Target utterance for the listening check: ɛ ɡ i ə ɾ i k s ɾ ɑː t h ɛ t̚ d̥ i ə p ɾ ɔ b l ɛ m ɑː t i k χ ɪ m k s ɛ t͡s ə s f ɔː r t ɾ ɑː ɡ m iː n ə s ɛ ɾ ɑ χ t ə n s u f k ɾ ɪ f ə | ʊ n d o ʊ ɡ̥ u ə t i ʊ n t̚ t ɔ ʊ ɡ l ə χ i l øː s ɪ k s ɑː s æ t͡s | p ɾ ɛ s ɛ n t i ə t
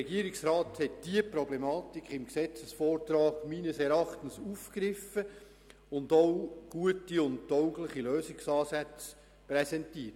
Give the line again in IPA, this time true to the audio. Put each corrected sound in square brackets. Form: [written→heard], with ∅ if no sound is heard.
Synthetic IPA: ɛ ɡ i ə ɾ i k s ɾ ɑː t h ɛ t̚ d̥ i ə p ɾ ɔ b l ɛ m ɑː t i k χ ɪ m k s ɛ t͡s ə s f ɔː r t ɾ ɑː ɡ m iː n ə s ɛ ɾ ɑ χ t ə n s u f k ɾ ɪ f ə | ʊ n d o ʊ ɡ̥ u ə t i ʊ n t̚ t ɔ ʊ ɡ l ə χ i l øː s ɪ k s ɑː s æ t͡s | p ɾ ɛ s ɛ n t i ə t